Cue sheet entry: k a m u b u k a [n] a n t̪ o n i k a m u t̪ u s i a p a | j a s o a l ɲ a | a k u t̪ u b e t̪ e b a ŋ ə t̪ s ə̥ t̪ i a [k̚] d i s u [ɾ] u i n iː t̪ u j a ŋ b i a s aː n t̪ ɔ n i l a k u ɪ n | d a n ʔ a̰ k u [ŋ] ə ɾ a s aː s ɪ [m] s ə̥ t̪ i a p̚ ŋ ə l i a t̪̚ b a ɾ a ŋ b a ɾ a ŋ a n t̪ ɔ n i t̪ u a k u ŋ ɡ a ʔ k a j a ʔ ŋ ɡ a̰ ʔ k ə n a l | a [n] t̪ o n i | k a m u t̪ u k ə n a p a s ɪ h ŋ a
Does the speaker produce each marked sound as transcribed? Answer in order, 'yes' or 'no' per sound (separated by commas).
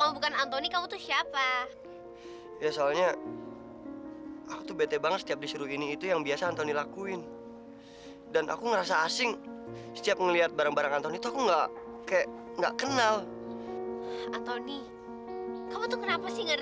yes, no, yes, yes, no, yes